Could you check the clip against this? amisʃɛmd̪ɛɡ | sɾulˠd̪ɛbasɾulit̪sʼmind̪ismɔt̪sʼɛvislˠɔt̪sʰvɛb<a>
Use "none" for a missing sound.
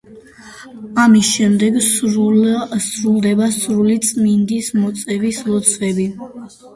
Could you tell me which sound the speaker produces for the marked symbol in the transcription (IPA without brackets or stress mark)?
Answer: i